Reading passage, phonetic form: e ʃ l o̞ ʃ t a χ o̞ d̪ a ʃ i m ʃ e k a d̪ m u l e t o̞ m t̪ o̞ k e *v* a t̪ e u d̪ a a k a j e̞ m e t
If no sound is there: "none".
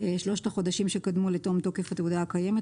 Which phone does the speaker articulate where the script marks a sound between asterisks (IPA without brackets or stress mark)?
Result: f